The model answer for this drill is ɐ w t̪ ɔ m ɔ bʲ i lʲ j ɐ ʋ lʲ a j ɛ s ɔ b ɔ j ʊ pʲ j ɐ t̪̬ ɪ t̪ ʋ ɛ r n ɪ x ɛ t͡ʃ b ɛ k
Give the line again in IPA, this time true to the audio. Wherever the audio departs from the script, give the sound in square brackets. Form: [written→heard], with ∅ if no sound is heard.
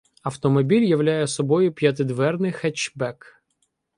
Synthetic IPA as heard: ɐ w t̪ ɔ m ɔ bʲ i lʲ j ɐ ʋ lʲ a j ɛ s ɔ b ɔ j ʊ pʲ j ɐ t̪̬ ɪ [t̪→d̪] ʋ ɛ r n ɪ x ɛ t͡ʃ b ɛ k